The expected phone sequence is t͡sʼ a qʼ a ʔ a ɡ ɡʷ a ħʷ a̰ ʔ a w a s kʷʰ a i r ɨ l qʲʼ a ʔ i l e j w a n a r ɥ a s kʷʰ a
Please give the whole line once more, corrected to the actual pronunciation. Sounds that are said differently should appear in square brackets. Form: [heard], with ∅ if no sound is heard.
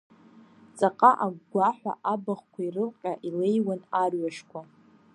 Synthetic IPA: t͡sʼ a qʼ a ʔ a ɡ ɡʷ a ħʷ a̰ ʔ a [b] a [χ] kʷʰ a i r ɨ l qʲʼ a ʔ i l e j w a n a r ɥ a [ʂ] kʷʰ a